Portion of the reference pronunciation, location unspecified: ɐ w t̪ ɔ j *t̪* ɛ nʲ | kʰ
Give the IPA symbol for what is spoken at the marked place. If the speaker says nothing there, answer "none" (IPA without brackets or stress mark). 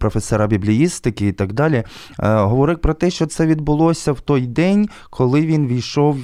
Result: d̪